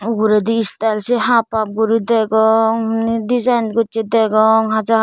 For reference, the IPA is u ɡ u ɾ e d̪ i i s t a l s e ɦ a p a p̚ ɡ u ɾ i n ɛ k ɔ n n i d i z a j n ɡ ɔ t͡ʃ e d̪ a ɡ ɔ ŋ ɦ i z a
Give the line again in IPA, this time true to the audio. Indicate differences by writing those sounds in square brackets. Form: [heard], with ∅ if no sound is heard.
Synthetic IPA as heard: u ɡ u ɾ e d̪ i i s t a l s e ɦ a p a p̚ ɡ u ɾ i [d] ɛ [ɡ] ɔ [ŋ] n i d i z a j n ɡ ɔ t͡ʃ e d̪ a ɡ ɔ ŋ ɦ [a] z a